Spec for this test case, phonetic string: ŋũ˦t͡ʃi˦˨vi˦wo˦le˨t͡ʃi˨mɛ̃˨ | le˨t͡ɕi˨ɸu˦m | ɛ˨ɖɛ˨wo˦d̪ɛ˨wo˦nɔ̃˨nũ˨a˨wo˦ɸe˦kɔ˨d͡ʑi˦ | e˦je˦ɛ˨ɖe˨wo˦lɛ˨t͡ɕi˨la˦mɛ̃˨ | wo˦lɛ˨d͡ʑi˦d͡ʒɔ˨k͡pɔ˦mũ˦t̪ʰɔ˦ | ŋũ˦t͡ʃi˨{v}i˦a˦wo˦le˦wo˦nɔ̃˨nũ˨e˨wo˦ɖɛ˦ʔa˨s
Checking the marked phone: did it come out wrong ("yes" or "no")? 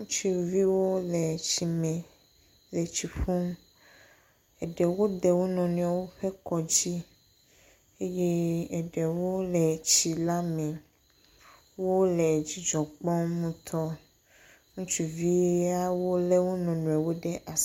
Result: no